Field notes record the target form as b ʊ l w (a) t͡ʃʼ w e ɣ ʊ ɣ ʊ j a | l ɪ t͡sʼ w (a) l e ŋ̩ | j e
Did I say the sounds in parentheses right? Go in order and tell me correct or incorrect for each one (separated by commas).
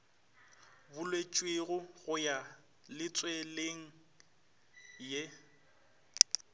incorrect, incorrect